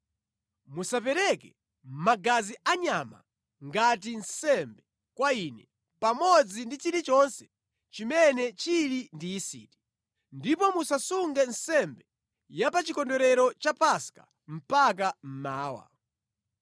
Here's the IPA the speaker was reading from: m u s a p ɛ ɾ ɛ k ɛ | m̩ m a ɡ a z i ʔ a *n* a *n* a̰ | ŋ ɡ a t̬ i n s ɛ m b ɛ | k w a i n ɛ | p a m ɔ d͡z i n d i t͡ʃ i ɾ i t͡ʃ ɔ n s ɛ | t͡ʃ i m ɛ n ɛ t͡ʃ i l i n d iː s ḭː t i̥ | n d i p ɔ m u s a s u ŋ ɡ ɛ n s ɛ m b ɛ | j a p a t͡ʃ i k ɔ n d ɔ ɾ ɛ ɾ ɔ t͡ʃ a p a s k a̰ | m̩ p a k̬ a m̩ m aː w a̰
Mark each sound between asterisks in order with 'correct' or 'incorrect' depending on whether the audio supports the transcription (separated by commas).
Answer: incorrect, incorrect